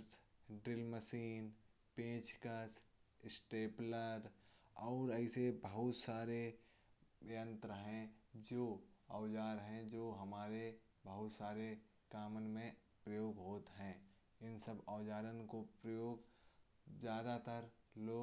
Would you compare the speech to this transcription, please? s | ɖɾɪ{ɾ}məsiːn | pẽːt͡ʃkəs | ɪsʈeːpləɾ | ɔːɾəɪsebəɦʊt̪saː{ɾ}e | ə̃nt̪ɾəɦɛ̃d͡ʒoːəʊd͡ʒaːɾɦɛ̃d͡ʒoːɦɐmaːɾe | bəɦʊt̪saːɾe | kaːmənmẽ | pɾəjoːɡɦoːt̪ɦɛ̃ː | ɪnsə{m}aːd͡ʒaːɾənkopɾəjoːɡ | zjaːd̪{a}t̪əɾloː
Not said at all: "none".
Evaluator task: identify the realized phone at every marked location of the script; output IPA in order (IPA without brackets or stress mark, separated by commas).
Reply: l, ɾ, b, a